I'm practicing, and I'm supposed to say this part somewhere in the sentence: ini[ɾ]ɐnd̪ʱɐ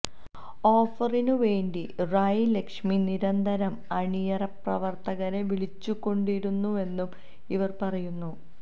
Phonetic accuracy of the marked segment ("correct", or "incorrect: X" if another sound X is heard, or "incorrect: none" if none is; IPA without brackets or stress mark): correct